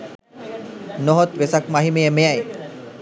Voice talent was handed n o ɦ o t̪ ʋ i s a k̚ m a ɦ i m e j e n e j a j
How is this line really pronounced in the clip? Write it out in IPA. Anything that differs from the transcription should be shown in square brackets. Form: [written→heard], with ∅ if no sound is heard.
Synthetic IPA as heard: n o ɦ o t̪ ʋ [i→e] s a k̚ m a ɦ i m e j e [n→m] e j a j